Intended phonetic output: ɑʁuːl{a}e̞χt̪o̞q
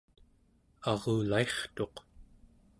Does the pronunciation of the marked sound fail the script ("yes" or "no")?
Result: no